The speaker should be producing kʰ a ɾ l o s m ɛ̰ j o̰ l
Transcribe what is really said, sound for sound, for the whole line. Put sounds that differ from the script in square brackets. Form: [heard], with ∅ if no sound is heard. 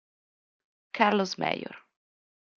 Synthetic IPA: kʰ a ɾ l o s m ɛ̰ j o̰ [ɾ]